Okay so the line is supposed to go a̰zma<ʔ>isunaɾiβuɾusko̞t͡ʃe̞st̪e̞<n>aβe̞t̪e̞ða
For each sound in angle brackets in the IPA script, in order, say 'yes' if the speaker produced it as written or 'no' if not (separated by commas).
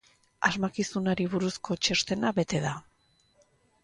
no, yes